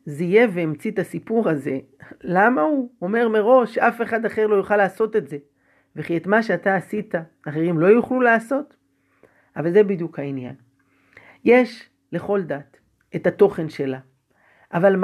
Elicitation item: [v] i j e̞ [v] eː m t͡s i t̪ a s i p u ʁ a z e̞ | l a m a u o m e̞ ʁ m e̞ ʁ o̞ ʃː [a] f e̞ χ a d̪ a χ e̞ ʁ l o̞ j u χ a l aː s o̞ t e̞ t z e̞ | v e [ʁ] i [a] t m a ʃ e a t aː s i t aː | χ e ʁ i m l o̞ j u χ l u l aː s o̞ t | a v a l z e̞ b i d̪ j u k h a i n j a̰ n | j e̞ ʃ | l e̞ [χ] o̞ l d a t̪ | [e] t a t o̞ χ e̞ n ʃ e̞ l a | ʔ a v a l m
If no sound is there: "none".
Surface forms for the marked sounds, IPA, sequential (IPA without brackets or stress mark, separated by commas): z, v, a, χ, e, χ, e